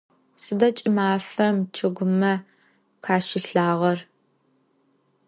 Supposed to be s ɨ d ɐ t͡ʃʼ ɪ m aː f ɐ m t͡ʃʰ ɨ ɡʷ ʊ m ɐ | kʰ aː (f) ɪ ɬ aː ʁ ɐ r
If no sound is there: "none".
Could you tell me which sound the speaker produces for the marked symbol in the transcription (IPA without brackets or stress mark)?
ʃ